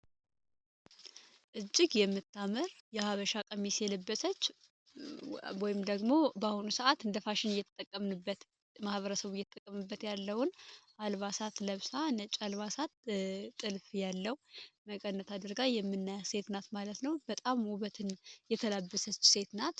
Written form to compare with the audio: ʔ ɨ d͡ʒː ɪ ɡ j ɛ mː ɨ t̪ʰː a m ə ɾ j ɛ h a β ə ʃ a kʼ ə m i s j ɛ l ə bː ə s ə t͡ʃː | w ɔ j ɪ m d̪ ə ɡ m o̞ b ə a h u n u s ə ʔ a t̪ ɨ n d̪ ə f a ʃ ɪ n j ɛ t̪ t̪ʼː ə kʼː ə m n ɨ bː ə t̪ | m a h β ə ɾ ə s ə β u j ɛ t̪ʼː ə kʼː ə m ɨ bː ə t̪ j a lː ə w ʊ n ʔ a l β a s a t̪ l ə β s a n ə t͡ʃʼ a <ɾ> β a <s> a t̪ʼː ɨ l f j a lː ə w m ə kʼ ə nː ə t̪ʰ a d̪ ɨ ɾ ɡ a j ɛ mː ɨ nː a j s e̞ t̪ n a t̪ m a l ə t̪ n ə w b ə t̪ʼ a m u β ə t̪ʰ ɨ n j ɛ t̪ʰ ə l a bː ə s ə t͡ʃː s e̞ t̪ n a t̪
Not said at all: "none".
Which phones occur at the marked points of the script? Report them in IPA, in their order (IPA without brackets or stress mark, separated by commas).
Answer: l, s